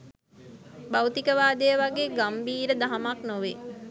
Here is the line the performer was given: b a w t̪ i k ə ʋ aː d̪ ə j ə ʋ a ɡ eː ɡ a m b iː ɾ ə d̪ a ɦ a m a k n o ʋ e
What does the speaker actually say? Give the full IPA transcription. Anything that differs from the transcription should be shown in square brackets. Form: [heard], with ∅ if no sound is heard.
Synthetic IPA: b a w t̪ i k ə ʋ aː d̪ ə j ə ʋ a ɡ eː ɡ a m b iː ɾ ə d̪ a ɦ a m a k n o ʋ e